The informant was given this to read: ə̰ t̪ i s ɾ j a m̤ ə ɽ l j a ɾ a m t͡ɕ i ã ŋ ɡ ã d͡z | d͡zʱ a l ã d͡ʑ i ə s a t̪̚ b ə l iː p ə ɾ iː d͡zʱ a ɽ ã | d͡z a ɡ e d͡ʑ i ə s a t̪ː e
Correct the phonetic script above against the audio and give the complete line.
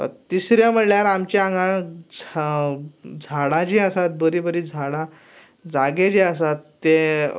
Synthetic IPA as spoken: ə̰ t̪ i s ɾ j a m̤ ə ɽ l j a ɾ a m t͡ɕ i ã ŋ ɡ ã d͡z | d͡zʱ a ɽ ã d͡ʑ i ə s a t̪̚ b ə ɾ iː b ə ɾ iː d͡zʱ a ɽ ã | d͡z a ɡ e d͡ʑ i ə s a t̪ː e